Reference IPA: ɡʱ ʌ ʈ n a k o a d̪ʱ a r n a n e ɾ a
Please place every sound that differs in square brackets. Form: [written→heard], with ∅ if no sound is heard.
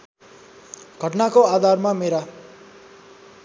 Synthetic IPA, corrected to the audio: ɡʱ ʌ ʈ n a k o a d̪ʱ a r [n→m] a [n→m] e ɾ a